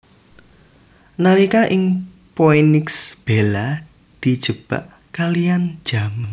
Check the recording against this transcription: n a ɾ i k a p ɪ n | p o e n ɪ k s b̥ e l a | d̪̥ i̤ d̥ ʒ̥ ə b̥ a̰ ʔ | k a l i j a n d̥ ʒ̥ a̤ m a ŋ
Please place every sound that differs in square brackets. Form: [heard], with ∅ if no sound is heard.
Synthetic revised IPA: n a ɾ i k a [ʔ] ɪ [ŋ] | p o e n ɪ k s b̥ e l a | d̪̥ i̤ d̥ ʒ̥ ə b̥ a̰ ʔ | k a l i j a n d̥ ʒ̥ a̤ m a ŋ